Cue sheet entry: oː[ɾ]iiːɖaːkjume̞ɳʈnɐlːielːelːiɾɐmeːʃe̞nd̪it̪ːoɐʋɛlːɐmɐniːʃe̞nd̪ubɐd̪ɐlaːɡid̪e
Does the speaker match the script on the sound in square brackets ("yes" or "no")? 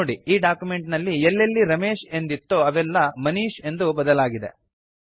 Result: no